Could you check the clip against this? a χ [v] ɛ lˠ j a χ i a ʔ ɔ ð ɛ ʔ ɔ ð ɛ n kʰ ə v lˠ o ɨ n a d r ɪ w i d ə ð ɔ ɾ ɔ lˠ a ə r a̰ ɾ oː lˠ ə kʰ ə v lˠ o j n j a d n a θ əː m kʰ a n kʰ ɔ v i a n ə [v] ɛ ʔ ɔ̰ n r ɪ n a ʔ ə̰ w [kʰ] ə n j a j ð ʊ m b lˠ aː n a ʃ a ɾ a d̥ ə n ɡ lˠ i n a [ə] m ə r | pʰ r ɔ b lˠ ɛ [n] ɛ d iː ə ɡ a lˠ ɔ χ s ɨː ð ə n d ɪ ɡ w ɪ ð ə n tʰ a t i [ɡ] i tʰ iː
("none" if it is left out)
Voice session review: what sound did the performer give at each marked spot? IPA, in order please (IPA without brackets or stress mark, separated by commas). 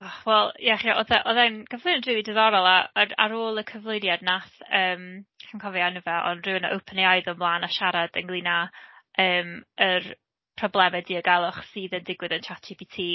w, v, pʰ, əː, m, b